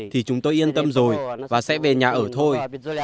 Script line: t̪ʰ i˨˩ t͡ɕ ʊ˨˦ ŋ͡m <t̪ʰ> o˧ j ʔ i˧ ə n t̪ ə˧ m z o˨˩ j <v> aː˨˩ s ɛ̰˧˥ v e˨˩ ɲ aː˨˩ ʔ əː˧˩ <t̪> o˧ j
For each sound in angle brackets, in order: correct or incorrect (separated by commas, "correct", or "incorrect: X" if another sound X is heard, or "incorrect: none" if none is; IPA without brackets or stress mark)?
incorrect: t̪, correct, incorrect: t̪ʰ